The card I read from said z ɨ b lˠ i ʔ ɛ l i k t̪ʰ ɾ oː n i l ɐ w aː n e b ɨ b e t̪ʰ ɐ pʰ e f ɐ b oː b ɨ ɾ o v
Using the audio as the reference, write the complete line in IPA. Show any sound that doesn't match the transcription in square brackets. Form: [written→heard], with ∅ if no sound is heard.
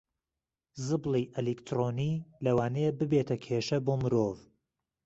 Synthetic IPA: z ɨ b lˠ i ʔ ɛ l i k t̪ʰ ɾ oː n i l ɐ w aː n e b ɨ b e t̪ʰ ɐ [pʰ→kʰ] e [f→ʃ] ɐ b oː [b→m] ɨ ɾ o v